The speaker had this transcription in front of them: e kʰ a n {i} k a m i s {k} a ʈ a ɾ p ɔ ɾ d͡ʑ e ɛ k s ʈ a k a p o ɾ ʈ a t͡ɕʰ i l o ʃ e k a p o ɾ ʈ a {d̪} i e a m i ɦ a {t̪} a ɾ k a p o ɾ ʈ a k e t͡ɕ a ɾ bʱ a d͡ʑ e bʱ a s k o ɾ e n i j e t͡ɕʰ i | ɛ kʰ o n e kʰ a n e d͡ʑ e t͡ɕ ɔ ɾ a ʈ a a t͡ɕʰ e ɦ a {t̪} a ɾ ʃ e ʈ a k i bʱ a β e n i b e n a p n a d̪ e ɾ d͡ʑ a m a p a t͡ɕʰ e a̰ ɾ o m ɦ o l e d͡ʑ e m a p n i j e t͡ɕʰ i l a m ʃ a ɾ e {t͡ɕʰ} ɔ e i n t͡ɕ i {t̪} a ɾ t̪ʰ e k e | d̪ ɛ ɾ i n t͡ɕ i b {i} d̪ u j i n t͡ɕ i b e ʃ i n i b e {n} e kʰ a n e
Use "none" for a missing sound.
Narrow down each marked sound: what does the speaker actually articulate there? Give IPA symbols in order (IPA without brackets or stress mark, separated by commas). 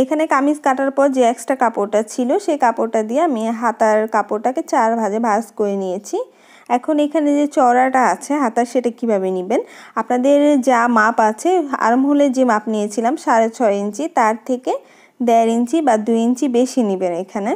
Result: e, k, d̪, t̪, t̪, t͡ɕʰ, t̪, a, n